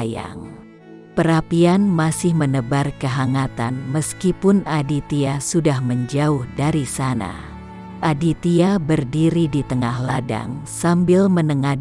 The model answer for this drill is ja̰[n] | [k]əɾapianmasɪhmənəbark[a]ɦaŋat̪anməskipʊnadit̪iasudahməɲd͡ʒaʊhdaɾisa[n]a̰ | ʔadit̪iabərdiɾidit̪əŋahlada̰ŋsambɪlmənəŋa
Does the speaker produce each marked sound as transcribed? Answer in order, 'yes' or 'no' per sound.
no, no, no, yes

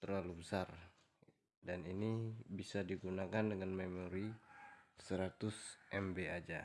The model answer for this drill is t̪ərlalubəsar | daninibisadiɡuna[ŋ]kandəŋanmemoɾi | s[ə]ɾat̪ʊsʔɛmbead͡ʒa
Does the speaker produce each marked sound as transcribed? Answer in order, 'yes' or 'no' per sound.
no, yes

